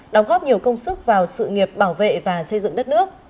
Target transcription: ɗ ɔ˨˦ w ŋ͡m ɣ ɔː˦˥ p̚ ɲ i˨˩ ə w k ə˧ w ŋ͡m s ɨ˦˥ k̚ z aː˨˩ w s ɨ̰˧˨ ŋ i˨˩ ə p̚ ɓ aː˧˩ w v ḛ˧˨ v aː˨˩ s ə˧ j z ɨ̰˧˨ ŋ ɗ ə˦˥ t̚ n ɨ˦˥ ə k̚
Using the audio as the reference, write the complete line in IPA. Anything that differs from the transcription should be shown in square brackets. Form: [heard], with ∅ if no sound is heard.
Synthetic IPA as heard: ɗ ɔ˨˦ w ŋ͡m ɣ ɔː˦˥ p̚ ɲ i˨˩ ə w k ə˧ w ŋ͡m s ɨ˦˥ k̚ [v] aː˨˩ w s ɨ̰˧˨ ŋ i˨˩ ə p̚ ɓ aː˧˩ w v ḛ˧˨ v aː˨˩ s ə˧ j z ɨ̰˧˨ ŋ ɗ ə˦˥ t̚ n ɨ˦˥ ə k̚